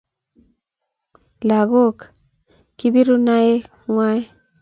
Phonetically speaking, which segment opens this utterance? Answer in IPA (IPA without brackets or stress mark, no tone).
l